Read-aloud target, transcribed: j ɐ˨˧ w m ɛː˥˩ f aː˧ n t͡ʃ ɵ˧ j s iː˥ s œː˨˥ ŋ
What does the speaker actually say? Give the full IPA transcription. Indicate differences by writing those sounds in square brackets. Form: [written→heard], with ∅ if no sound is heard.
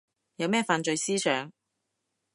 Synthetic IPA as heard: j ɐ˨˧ w m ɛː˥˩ f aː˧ n t͡ʃ ɵ˧ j s iː˥ s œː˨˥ ŋ